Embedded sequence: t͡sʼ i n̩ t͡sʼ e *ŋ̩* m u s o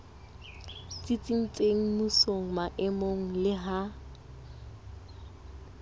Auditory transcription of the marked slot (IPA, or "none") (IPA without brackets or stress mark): ŋ̩